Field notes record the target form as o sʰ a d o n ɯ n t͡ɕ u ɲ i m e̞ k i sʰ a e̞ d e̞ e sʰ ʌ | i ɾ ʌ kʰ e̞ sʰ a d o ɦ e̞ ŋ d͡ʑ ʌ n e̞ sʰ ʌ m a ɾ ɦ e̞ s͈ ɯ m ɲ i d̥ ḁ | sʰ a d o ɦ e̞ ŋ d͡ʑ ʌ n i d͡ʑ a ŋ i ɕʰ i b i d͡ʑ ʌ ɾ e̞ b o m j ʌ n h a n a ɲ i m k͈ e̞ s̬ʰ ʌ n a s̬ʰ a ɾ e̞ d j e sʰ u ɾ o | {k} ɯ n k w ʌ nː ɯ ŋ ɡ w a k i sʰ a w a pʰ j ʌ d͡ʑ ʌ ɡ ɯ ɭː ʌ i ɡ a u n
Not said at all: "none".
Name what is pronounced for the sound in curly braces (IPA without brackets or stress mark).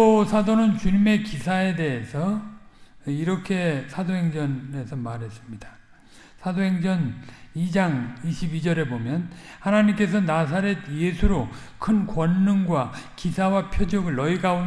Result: kʰ